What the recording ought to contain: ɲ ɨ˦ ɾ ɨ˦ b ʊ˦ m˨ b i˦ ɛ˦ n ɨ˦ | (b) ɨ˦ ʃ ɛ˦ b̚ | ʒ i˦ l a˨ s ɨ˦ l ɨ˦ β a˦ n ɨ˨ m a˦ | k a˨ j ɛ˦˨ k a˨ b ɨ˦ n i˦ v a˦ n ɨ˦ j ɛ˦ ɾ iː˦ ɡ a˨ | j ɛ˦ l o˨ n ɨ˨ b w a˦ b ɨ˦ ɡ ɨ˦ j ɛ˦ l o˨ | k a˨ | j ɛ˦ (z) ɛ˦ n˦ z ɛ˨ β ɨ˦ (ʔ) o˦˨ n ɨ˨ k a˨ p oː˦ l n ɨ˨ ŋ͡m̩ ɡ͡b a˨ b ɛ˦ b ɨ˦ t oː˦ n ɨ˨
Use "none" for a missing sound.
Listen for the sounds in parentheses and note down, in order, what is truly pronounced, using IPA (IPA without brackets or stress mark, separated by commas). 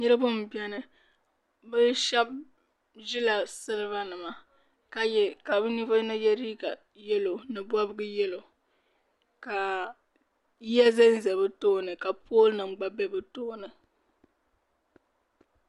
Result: b, z, t